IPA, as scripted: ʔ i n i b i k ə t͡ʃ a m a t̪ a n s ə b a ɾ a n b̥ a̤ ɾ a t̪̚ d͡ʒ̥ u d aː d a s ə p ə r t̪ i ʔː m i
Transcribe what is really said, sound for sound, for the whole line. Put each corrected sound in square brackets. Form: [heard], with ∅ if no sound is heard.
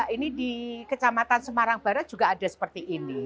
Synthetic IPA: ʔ i n i [d] i k ə t͡ʃ a m a t̪ a n s ə [m] a ɾ a [ŋ] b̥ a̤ ɾ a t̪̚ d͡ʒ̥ u [ɡ] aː d a s ə p ə r t̪ i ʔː [n] i